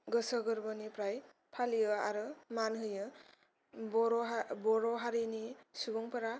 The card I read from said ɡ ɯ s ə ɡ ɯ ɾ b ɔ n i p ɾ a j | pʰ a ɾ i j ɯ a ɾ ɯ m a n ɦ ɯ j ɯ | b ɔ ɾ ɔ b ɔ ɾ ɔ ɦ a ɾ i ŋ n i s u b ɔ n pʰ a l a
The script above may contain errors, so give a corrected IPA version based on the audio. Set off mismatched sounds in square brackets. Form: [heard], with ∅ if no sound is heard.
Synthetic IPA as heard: ɡ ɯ s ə ɡ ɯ ɾ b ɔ n i p ɾ a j | pʰ a [l] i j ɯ a ɾ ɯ m a n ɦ ɯ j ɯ | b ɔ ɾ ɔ b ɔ ɾ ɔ ɦ a ɾ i [∅] n i s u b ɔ [ŋ] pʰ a [ɾ] a